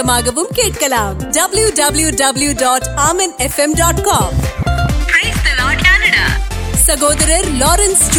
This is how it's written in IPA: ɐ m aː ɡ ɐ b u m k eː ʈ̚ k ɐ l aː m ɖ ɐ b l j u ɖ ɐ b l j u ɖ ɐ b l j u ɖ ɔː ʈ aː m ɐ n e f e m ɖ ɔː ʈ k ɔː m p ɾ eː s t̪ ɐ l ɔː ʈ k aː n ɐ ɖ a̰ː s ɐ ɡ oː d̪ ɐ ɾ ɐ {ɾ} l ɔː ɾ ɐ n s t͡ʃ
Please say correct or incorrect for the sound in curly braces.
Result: correct